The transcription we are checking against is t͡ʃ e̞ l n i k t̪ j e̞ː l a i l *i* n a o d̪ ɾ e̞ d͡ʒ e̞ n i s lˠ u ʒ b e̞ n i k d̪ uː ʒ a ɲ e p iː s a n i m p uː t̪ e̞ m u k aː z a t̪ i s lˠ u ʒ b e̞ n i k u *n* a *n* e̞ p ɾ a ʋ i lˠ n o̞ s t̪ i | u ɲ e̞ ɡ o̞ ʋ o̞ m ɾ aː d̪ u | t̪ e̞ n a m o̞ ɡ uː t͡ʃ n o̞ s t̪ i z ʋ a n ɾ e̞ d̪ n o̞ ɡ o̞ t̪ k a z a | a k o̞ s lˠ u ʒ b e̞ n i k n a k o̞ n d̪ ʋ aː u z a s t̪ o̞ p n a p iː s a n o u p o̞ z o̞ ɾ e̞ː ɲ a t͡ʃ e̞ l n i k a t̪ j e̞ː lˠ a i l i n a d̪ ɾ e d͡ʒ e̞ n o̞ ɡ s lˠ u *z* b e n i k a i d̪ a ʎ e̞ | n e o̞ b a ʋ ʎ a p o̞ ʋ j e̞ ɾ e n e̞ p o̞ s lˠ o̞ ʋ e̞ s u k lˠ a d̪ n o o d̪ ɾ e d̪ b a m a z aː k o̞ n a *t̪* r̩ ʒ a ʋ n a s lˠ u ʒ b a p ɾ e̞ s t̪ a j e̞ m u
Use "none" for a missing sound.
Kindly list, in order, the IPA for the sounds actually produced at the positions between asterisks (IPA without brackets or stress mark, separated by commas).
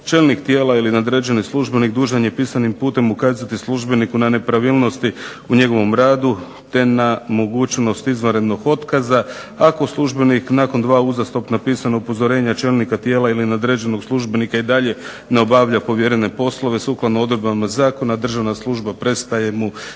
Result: i, n, n, ʒ, d̪